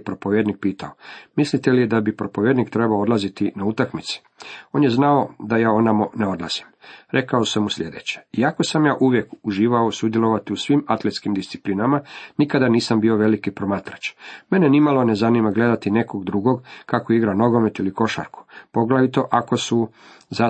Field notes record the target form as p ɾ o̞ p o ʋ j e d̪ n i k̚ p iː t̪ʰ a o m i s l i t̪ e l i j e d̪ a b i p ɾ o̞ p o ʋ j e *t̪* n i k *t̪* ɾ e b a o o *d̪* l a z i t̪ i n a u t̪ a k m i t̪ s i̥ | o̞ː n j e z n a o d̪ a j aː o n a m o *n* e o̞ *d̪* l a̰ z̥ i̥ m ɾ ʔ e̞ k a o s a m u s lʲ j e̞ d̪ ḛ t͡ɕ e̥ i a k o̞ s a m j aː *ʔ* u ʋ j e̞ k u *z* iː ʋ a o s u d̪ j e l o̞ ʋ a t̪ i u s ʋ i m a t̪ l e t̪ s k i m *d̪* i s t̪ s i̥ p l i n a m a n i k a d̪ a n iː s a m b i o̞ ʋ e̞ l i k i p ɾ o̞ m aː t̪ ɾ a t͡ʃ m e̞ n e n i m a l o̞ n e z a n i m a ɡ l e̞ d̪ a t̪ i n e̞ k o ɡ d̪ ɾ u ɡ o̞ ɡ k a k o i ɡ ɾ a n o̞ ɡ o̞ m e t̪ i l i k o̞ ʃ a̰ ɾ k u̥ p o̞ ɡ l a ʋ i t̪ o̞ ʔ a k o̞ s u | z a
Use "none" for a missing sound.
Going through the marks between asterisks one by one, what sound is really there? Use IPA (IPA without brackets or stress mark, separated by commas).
d̪, t̪, d̪, n, d̪, ʔ, ʒ, d̪